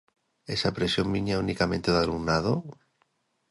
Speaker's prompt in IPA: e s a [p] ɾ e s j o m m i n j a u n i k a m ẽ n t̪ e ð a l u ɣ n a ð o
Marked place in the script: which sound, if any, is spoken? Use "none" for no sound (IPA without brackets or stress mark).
p